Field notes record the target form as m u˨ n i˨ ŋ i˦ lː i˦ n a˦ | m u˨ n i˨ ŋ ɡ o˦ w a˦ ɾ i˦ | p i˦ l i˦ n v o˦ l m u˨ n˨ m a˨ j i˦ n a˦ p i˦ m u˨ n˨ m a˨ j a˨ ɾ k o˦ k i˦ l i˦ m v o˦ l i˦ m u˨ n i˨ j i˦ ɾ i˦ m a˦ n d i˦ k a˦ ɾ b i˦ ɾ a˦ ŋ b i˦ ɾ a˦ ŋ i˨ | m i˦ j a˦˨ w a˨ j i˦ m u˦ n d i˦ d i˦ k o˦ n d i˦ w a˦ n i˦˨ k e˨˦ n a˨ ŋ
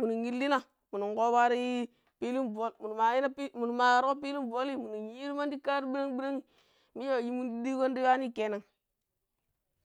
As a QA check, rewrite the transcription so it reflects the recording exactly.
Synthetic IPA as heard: m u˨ n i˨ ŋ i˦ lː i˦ n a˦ | m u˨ n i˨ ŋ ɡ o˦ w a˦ ɾ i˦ | p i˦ l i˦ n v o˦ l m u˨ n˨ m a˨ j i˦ n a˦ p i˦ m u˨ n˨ m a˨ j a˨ ɾ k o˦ p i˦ l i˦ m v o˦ l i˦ m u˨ n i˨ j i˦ ɾ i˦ m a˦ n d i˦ k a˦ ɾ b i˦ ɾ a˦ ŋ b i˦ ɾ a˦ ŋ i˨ | m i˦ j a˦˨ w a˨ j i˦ m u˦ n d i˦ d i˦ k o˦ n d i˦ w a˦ n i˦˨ k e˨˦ n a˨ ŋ